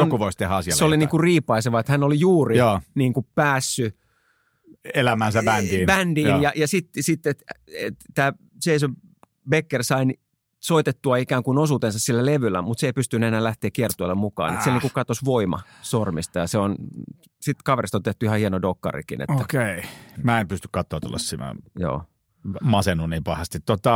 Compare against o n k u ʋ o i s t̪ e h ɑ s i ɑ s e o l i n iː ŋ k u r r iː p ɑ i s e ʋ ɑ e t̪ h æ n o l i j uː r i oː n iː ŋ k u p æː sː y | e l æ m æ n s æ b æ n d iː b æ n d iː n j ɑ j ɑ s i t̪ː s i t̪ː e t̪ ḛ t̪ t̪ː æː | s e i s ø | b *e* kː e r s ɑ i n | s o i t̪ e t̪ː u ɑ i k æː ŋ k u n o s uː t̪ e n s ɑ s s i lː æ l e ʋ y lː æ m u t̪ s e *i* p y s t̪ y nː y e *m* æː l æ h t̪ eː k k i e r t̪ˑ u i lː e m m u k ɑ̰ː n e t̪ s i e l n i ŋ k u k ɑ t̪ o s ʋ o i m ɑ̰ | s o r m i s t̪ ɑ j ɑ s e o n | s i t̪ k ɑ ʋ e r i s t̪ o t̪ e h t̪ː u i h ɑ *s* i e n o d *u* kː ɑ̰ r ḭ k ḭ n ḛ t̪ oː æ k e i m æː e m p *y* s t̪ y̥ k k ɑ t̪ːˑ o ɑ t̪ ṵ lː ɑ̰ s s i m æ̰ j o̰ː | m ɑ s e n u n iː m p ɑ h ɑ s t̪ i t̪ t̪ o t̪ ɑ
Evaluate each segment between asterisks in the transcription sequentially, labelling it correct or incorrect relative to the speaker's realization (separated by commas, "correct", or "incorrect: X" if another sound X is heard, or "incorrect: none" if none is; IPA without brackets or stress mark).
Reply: correct, correct, incorrect: n, incorrect: h, incorrect: o, correct